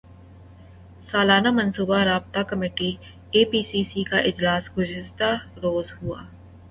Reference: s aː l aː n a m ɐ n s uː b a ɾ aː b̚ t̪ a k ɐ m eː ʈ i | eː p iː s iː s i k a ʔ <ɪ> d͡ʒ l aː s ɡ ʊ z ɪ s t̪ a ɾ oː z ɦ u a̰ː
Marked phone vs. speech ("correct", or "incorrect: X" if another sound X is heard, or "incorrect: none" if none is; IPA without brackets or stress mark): correct